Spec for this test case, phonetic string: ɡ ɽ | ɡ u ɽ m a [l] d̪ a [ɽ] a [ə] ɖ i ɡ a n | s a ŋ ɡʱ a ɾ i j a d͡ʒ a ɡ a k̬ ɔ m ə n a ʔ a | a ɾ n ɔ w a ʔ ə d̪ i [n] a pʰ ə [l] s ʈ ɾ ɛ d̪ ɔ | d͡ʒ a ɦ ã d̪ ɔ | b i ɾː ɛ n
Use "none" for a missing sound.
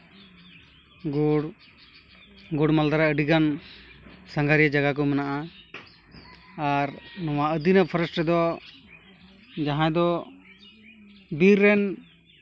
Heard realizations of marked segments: l, ɾ, ə, n, ɾ

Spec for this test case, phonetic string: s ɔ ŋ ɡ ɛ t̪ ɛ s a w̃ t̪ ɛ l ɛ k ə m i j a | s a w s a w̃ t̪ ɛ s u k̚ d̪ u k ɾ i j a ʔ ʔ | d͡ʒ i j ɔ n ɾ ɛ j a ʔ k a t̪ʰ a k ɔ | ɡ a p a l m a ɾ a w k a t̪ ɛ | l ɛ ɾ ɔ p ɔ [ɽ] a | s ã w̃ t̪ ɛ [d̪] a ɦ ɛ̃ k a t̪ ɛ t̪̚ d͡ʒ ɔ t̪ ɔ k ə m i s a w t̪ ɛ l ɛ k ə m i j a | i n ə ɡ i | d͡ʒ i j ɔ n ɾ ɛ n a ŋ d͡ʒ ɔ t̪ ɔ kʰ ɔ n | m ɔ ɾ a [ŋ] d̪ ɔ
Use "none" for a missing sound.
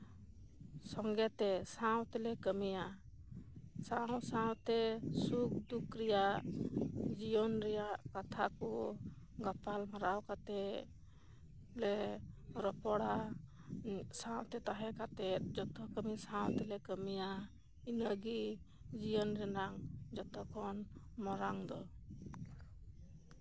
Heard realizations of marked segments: ɽ, t̪, ŋ

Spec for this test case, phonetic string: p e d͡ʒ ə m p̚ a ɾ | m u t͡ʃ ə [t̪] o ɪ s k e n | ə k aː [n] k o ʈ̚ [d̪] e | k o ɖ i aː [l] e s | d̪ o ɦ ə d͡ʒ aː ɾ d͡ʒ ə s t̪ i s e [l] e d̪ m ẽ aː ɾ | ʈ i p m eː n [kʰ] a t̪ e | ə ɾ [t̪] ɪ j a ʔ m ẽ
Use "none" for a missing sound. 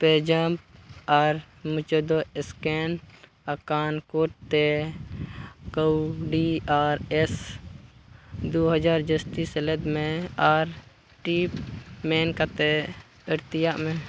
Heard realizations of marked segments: d̪, n, t̪, ɾ, l, k, t̪

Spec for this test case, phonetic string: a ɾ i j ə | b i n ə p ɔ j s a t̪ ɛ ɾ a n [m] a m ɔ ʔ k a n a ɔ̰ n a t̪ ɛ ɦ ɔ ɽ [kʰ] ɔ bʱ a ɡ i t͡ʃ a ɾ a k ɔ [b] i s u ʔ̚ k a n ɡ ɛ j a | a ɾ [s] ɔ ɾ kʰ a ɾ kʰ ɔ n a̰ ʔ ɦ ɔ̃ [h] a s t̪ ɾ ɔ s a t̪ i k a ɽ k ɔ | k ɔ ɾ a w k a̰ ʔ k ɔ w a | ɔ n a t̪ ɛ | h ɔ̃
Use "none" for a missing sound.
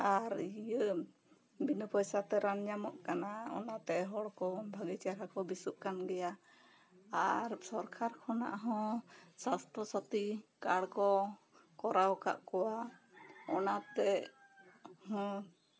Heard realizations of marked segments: ɲ, k, b, s, s

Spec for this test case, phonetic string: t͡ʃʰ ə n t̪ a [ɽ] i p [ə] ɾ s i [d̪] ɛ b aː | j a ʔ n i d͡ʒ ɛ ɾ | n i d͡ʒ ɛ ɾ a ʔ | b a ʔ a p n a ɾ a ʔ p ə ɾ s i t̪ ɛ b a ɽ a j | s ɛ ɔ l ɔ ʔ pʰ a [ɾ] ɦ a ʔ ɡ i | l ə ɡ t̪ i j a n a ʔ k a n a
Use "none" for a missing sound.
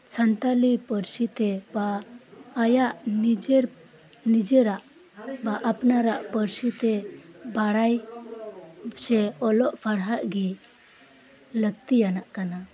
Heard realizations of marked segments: l, ə, t̪, ɽ

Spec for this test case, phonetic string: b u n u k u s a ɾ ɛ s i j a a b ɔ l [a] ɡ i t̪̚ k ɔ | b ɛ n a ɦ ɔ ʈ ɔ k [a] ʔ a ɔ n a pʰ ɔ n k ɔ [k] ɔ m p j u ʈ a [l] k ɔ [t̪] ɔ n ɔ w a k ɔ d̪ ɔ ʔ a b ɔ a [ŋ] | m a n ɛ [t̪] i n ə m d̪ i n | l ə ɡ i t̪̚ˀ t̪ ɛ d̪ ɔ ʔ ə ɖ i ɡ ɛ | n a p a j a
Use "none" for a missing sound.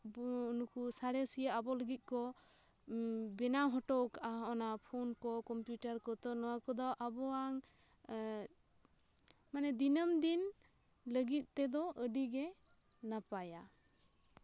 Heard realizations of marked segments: ə, a, k, ɾ, t̪, ŋ, d̪

